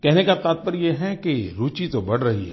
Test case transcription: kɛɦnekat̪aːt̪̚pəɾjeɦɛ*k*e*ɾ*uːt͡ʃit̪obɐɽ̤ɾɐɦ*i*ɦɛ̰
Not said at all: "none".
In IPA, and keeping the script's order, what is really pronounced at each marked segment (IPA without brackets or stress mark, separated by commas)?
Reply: k, ɾ, i